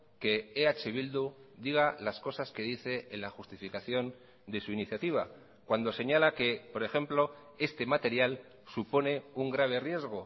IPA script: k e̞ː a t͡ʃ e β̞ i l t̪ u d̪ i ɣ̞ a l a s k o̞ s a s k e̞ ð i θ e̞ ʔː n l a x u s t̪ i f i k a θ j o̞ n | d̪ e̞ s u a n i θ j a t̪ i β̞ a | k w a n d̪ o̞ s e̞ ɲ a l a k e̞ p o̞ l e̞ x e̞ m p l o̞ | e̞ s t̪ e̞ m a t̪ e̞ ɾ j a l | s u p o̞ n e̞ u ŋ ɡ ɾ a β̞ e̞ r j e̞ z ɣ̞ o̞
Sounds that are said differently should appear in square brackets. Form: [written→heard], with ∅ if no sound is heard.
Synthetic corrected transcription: k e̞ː a t͡ʃ e β̞ i l [t̪→d̪] u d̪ i ɣ̞ a l a s k o̞ s a s k e̞ ð i θ e̞ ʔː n l a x u s t̪ i f i k a θ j o̞ n | d̪ e̞ s u [a→i] n i θ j a t̪ i β̞ a | k w a n d̪ o̞ s e̞ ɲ a l a k e̞ p o̞ [l→ɾ] e̞ x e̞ m p l o̞ | e̞ s t̪ e̞ m a t̪ e̞ ɾ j a l | s u p o̞ n e̞ u ŋ ɡ ɾ a β̞ e̞ r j e̞ z ɣ̞ o̞